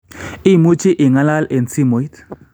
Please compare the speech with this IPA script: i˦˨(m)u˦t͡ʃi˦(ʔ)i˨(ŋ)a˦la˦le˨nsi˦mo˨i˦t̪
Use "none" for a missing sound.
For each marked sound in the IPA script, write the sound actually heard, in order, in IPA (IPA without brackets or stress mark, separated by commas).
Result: m, ʔ, ŋ